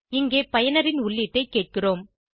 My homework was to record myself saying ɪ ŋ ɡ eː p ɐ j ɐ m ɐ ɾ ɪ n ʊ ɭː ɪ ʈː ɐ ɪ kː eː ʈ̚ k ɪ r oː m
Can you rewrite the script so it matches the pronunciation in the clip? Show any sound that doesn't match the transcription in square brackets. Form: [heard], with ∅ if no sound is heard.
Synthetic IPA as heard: ɪ ŋ ɡ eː p ɐ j ɐ [n] ɐ ɾ ɪ n ʊ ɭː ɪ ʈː ɐ ɪ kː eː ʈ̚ k ɪ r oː m